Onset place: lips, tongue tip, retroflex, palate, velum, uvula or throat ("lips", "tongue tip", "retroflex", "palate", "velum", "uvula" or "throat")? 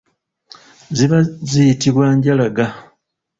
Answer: tongue tip